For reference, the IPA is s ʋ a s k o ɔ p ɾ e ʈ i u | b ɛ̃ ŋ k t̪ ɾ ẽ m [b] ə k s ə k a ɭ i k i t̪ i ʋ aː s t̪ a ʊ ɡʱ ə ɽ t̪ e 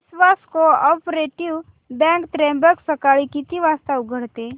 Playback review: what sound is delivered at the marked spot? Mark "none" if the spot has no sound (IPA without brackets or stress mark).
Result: b